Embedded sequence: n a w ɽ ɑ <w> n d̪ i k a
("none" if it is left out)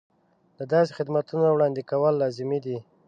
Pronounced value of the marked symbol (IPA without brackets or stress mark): none